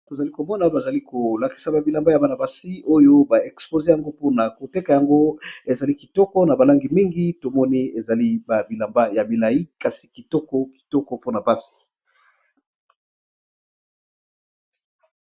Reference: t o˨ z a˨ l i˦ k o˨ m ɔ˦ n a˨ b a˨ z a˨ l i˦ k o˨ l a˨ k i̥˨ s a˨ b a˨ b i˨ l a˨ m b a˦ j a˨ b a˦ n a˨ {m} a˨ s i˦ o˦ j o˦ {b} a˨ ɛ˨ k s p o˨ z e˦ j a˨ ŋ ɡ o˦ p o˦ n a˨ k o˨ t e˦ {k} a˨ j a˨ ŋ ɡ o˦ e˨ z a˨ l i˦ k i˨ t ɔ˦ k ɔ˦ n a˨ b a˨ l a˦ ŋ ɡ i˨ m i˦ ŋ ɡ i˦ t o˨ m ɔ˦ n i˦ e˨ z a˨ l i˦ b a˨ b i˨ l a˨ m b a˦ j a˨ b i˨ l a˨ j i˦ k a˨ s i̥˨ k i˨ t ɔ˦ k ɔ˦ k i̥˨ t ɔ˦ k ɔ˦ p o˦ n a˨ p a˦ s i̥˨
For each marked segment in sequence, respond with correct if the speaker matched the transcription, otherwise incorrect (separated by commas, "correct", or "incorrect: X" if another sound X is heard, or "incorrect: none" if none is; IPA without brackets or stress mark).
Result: incorrect: b, correct, correct